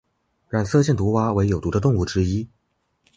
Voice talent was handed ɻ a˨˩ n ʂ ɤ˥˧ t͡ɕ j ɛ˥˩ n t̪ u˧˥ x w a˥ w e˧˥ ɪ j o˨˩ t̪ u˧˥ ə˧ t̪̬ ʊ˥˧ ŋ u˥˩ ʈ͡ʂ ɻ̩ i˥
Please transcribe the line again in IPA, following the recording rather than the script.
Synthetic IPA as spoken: ɻ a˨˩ n s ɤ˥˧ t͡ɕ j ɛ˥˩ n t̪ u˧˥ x w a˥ w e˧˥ ɪ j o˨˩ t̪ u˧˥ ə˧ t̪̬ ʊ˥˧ ŋ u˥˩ ʈ͡ʂ ɻ̩ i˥